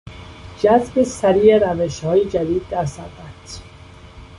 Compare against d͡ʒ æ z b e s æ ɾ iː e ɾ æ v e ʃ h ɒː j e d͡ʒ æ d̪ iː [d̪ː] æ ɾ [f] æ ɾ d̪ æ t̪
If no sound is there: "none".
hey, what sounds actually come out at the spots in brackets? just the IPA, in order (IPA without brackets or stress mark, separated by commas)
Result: d̪ː, s